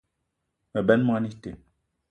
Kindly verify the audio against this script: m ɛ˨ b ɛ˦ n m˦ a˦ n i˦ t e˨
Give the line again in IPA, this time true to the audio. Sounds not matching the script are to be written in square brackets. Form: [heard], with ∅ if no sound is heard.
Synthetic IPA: m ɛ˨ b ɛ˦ n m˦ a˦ n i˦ t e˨